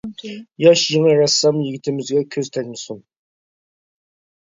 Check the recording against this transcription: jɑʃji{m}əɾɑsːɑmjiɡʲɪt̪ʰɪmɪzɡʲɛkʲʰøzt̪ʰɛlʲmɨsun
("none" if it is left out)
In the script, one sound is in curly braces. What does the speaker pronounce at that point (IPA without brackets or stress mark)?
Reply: ŋ